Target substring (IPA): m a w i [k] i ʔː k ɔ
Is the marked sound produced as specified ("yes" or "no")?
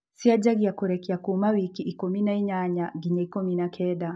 yes